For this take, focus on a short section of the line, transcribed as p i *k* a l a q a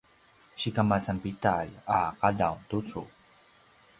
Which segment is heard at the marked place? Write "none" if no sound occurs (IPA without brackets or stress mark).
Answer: t